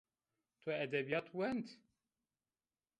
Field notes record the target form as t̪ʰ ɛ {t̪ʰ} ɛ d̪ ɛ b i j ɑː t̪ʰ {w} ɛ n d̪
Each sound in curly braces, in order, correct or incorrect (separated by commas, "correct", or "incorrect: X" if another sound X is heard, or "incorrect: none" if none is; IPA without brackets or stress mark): incorrect: none, correct